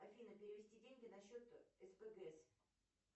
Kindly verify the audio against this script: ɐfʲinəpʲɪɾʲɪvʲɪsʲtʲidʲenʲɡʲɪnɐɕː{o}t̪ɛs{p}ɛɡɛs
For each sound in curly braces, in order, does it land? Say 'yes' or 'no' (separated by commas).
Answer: yes, yes